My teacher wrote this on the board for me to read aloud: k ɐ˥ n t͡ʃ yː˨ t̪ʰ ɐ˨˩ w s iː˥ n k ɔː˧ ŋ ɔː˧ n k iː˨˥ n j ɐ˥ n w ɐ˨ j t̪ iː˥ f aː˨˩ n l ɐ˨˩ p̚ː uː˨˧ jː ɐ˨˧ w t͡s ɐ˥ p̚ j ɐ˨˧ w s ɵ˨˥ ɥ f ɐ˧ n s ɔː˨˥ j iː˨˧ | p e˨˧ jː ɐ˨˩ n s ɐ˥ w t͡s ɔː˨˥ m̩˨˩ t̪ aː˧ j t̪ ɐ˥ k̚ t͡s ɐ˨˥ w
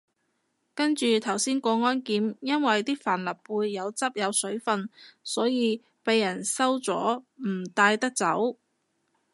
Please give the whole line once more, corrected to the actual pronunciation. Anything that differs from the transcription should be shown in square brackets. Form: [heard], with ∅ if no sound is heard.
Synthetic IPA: k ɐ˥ n t͡ʃ yː˨ t̪ʰ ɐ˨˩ w s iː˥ n k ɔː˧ ŋ [ɔː˥] n k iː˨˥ [m] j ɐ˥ n w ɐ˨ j t̪ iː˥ f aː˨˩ n l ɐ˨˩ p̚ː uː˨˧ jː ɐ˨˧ w t͡s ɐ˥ p̚ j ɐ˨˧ w s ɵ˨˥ ɥ f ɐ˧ n s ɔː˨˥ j iː˨˧ | p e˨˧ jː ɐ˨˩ n s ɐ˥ w t͡s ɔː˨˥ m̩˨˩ t̪ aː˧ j t̪ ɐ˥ k̚ t͡s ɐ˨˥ w